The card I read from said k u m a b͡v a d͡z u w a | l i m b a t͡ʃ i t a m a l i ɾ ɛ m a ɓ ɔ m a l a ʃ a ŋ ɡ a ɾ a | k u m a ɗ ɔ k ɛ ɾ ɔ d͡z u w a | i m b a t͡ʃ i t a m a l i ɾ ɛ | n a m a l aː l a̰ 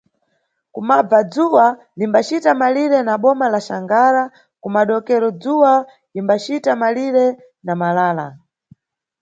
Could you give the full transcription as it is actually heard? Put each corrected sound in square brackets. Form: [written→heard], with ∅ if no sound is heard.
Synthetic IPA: k u m a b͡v a d͡z u w a | l i m b a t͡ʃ i t a m a l i ɾ ɛ [m→n] a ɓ ɔ m a l a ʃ a ŋ ɡ a ɾ a | k u m a ɗ ɔ k ɛ ɾ ɔ d͡z u w a | i m b a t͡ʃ i t a m a l i ɾ ɛ | n a m a l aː l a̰